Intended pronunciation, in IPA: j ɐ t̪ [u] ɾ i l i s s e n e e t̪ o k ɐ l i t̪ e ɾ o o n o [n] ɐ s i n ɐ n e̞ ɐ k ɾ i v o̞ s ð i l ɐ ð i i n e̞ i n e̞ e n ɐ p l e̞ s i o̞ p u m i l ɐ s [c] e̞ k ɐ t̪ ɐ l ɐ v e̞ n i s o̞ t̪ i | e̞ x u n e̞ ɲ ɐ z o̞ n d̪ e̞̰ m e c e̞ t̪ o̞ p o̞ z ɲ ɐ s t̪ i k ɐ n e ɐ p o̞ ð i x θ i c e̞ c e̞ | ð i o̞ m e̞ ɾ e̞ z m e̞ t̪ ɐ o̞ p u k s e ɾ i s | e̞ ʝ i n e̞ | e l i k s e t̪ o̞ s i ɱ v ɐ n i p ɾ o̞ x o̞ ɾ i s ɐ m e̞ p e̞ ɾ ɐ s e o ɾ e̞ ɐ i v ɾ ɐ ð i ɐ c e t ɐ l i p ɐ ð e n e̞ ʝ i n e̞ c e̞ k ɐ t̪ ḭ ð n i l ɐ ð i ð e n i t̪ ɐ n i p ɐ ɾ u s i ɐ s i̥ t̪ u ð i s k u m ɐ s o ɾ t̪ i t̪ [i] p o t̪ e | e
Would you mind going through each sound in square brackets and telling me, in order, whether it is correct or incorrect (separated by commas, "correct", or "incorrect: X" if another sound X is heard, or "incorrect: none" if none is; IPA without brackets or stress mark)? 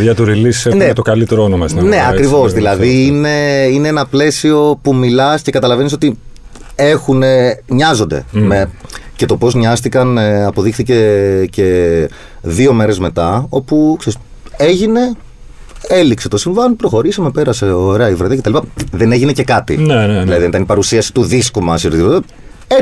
correct, incorrect: m, correct, correct